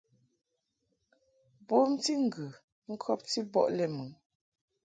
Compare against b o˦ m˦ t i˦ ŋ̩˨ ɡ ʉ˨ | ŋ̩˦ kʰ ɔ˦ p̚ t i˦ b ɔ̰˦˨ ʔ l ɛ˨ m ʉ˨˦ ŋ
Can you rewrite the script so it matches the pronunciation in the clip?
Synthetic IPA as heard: b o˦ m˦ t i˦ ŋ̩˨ ɡ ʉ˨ | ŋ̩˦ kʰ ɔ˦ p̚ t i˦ b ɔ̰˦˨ ʔ l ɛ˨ m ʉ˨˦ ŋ